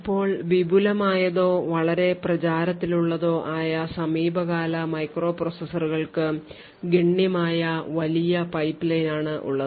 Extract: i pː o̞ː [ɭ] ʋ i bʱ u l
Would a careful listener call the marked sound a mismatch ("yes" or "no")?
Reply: no